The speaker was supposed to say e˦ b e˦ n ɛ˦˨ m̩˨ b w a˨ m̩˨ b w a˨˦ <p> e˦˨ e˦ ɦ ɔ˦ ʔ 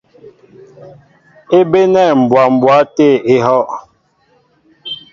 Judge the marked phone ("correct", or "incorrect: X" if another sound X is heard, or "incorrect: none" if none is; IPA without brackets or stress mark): incorrect: t